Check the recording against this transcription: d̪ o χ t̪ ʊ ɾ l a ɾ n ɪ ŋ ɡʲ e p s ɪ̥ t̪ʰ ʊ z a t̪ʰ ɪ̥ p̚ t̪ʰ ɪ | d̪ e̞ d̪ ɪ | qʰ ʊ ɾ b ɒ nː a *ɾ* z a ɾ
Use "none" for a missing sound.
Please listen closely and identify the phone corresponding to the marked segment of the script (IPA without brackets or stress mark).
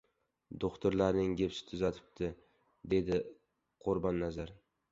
none